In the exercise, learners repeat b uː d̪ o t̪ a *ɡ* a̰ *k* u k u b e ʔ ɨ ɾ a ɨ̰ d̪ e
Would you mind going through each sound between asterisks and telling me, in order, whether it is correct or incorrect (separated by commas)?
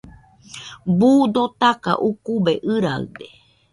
incorrect, incorrect